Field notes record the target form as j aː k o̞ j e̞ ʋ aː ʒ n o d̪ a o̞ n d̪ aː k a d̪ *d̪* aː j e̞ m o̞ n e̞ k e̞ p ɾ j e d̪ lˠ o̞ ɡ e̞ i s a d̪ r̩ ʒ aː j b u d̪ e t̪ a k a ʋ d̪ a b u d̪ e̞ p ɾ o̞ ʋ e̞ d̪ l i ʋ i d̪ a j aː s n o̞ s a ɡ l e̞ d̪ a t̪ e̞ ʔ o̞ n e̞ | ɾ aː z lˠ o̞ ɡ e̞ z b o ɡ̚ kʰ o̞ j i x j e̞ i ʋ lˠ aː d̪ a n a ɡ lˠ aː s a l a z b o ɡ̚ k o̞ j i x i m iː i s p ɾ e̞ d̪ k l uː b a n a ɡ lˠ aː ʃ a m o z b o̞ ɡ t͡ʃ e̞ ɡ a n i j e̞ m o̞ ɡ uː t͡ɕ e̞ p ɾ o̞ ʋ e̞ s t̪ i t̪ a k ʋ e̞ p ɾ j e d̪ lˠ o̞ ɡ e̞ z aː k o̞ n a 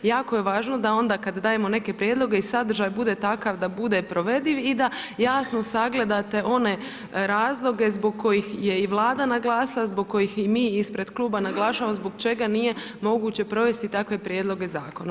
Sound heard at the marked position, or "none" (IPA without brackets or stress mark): d̪